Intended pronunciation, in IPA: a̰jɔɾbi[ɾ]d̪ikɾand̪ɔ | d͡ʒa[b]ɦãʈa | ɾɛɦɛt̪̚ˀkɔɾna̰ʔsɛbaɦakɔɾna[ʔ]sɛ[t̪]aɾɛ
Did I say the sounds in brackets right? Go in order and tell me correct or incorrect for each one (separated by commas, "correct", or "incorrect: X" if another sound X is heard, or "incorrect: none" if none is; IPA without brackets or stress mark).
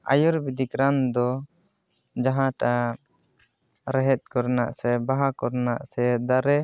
incorrect: none, incorrect: none, correct, incorrect: d̪